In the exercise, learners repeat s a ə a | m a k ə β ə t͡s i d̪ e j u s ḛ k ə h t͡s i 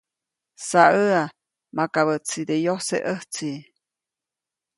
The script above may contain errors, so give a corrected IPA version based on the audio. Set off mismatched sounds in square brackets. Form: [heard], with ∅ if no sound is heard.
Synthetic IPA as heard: s a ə a | m a k [a] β ə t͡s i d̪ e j [o] s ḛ [ʔ] ə h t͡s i